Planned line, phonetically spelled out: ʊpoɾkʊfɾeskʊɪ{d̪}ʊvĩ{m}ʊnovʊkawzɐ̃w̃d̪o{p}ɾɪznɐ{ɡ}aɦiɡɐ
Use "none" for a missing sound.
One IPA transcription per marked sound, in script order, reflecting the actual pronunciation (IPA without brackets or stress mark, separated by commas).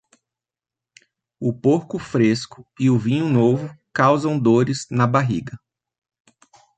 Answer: none, ɲ, none, b